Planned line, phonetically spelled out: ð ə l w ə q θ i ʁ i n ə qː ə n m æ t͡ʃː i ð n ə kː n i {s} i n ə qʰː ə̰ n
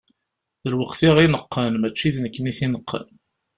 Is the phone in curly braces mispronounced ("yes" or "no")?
yes